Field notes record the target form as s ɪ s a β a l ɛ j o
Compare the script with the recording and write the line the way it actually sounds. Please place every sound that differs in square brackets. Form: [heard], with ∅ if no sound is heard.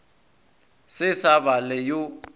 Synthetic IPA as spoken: s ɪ s a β a l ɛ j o